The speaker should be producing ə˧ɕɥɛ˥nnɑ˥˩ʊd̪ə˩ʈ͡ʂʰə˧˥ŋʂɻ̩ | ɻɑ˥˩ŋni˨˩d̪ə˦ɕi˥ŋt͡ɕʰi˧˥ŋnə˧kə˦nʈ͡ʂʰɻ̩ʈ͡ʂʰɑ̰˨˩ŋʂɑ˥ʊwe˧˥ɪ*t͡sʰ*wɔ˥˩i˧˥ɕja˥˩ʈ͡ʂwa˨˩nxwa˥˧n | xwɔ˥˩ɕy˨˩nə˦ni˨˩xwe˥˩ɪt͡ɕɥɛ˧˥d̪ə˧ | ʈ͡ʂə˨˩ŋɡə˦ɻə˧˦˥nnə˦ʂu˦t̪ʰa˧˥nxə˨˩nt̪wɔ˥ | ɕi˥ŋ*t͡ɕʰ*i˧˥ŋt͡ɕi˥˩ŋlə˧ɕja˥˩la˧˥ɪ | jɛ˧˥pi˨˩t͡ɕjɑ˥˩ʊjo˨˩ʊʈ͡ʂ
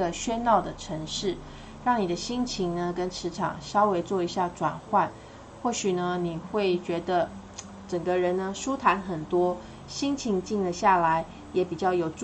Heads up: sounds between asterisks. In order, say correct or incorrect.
incorrect: t͡s, correct

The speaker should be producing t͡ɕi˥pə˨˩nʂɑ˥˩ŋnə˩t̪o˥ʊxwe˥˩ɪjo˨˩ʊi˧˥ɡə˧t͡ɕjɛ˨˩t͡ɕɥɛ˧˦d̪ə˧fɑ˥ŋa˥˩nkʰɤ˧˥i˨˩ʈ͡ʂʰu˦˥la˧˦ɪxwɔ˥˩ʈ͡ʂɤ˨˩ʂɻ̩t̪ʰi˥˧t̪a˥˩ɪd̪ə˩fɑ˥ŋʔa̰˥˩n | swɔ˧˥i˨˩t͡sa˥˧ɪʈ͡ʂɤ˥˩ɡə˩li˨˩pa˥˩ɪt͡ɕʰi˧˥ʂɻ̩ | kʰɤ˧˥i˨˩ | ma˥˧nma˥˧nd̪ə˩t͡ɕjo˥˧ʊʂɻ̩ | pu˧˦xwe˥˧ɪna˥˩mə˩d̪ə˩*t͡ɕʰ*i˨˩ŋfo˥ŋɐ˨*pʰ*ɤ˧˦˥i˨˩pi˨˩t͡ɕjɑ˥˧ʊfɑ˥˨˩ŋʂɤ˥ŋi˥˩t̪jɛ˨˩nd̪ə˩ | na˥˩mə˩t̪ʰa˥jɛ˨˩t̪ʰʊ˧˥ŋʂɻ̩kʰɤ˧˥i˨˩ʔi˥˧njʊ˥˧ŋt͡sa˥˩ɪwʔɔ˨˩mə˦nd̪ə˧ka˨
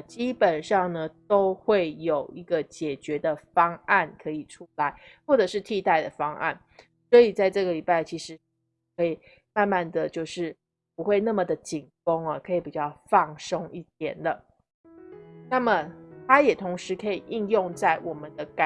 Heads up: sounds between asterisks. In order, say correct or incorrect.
incorrect: t͡ɕ, incorrect: kʰ

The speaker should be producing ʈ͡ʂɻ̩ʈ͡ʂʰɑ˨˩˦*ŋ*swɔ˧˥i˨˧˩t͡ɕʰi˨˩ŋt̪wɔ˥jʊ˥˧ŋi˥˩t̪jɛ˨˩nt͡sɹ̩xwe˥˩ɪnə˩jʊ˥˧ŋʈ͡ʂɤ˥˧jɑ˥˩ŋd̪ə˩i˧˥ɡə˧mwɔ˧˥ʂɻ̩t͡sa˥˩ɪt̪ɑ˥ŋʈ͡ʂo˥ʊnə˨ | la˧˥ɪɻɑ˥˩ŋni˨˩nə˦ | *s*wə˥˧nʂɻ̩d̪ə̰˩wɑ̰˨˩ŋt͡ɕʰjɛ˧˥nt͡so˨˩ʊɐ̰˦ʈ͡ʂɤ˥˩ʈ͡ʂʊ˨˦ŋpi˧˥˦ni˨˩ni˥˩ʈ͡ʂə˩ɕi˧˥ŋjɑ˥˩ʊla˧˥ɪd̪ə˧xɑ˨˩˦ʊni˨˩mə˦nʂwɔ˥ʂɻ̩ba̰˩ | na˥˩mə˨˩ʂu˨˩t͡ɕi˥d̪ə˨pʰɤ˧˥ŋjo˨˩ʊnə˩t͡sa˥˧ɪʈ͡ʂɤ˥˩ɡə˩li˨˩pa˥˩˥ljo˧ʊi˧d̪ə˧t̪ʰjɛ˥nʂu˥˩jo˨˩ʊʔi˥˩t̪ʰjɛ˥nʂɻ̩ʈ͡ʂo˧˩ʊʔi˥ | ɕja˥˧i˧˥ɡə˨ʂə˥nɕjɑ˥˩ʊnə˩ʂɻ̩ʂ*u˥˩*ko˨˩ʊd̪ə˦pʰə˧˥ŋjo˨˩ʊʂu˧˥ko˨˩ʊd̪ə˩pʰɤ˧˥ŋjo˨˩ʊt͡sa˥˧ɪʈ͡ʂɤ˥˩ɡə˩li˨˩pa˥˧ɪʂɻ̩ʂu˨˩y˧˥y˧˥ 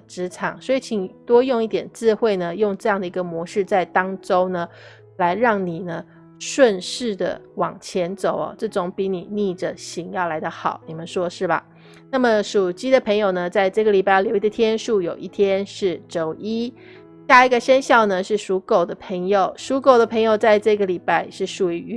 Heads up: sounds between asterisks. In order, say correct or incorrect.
correct, incorrect: ʂ, incorrect: u˧˥

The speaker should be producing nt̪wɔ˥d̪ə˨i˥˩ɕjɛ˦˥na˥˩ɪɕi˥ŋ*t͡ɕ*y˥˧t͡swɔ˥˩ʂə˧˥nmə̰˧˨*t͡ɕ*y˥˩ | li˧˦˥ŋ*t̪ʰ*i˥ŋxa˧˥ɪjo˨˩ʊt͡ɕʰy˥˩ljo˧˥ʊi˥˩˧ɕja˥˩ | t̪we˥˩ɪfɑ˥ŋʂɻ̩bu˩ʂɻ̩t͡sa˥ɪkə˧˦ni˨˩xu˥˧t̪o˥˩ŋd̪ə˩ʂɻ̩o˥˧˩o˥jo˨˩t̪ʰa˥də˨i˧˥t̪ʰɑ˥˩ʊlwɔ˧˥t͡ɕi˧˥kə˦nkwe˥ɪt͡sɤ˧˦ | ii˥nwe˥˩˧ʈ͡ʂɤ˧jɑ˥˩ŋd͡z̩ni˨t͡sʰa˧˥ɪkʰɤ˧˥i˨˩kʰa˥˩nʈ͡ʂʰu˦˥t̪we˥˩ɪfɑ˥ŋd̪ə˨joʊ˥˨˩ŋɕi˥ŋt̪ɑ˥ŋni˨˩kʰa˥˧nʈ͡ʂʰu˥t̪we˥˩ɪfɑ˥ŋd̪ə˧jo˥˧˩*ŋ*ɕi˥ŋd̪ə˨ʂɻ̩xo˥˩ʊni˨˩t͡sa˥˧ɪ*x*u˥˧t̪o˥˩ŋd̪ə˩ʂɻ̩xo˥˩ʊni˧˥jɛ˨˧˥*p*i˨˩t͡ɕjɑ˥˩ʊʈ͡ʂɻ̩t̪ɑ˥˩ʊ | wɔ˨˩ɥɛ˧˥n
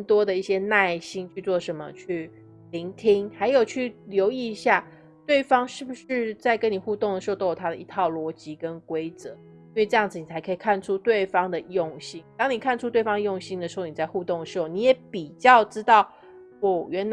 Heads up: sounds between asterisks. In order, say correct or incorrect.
incorrect: t͡ɕʰ, incorrect: t͡ɕʰ, correct, correct, correct, correct

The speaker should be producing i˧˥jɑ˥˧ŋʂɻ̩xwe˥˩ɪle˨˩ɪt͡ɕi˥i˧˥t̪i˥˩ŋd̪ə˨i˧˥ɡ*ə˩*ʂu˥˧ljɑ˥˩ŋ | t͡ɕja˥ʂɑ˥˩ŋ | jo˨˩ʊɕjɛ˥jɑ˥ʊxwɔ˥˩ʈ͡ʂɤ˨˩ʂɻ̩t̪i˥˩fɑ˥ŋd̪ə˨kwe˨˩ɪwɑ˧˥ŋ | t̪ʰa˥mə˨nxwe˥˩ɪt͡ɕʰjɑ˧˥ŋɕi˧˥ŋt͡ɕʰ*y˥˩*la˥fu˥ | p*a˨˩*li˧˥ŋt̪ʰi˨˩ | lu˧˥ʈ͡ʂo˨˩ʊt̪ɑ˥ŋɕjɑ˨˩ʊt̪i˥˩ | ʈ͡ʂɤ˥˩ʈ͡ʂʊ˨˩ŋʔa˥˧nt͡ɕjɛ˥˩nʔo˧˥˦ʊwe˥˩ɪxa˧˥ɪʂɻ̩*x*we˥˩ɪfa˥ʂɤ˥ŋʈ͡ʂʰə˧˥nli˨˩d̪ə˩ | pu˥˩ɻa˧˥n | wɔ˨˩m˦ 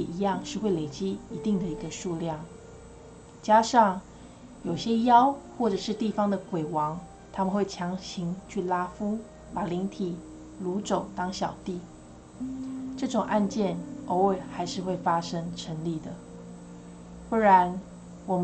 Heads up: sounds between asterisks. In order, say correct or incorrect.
incorrect: ə˧, correct, correct, correct

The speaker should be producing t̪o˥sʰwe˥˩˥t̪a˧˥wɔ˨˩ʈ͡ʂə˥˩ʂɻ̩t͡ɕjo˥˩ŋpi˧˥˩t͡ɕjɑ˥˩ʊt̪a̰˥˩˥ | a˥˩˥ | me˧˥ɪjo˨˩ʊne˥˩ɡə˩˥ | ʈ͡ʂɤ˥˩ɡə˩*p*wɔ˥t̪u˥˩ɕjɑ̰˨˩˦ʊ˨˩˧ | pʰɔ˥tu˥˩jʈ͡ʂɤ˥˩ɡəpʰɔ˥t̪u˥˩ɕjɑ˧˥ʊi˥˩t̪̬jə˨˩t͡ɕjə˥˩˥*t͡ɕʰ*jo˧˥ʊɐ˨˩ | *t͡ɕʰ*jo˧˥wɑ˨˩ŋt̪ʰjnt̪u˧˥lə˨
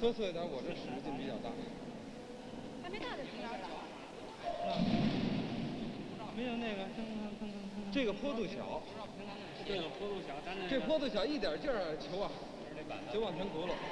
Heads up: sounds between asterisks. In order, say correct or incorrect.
incorrect: pʰ, correct, incorrect: t͡ɕ

